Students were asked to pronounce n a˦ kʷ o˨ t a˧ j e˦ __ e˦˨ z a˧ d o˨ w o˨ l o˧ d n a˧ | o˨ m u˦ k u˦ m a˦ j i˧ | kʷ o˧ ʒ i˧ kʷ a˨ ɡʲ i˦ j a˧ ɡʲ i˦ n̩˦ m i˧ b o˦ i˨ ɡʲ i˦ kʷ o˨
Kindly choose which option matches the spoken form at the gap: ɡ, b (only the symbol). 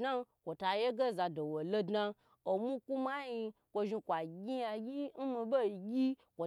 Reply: ɡ